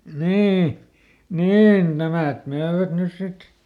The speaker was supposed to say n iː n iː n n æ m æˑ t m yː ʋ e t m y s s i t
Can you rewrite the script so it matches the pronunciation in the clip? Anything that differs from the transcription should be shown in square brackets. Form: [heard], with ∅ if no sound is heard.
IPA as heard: n iː n iː n n æ m æˑ t m [øː] ʋ [æ] t [n] y s s i t